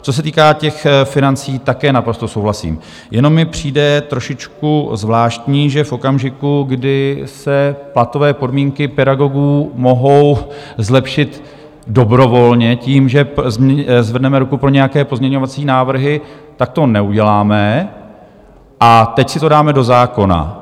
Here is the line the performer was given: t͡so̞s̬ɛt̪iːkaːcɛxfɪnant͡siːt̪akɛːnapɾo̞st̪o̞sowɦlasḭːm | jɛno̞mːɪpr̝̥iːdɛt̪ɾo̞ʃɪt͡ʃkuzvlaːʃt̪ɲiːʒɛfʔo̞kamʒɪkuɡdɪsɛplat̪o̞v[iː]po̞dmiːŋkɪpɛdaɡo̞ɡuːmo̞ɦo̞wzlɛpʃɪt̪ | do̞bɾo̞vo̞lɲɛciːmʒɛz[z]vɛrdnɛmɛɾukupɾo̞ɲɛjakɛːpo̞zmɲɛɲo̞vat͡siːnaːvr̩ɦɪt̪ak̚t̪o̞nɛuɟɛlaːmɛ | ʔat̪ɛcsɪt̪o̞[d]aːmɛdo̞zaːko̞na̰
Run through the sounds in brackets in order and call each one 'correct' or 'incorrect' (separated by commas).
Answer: incorrect, correct, correct